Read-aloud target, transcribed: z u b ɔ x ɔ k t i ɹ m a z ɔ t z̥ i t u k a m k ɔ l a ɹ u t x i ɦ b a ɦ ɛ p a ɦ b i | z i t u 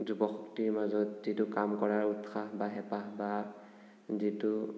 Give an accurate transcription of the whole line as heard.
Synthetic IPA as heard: z u b ɔ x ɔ k t i ɹ m a z ɔ t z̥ i t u k a m k ɔ ɹ a ɹ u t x a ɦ b a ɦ ɛ p a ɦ b a | z i t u